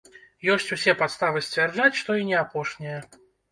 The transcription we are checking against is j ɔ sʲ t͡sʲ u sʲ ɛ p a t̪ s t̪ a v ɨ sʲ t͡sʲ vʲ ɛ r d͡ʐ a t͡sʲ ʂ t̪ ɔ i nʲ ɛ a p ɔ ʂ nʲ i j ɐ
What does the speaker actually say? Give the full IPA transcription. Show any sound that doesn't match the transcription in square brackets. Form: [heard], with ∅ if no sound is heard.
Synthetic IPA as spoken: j ɔ sʲ t͡sʲ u sʲ ɛ p a t̪ s t̪ a v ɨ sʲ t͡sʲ vʲ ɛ r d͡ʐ a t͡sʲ ʂ t̪ ɔ i nʲ ɛ a p ɔ ʂ nʲ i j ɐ